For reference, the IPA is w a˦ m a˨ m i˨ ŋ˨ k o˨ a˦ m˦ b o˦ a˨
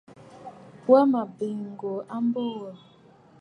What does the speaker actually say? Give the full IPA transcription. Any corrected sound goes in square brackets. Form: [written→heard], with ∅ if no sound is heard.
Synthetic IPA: w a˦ m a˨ [m→b] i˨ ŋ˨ [k→ɡ] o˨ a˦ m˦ b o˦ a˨